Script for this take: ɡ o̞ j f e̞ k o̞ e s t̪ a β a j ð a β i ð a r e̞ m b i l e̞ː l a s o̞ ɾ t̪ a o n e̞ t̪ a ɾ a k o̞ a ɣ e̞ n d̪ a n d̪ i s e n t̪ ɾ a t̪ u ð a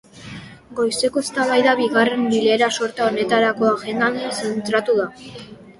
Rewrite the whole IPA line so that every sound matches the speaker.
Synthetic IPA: ɡ o̞ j s e̞ k o̞ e s t̪ a β a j ð a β i ɣ a r e̞ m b i l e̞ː ɾ a s o̞ ɾ t̪ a o n e̞ t̪ a ɾ a k o̞ a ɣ e̞ n d̪ a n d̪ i s e n t̪ ɾ a t̪ u ð a